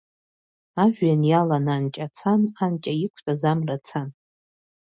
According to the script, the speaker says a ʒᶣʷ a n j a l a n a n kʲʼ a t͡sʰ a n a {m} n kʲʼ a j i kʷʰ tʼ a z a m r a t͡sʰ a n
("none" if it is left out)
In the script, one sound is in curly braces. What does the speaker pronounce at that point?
none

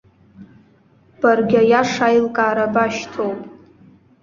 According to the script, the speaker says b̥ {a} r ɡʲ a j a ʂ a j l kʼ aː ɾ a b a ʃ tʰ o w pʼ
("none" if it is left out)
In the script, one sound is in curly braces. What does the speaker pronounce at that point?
a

